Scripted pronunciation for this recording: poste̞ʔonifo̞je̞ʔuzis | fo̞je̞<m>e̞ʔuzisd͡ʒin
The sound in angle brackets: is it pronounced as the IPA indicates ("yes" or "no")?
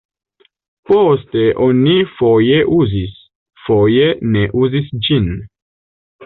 no